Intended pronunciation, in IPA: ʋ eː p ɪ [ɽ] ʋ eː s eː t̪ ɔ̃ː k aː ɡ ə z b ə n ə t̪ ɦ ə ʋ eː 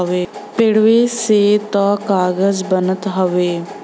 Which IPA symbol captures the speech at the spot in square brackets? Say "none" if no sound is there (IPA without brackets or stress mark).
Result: ɽ